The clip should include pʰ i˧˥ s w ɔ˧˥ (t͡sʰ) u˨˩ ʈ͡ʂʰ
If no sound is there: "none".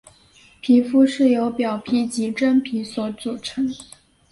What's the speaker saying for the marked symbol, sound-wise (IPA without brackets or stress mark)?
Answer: t͡s